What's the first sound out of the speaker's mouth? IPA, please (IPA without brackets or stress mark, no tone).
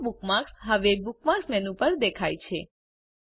b